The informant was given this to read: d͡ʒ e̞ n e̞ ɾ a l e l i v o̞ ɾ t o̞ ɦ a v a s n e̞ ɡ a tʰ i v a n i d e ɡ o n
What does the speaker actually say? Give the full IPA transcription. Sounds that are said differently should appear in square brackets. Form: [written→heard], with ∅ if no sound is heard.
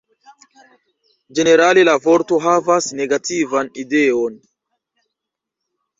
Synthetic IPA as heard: d͡ʒ e̞ n e̞ ɾ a l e l [i→a] v o̞ ɾ t o̞ ɦ a v a s n e̞ ɡ a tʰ i v a n i d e [ɡ→∅] o n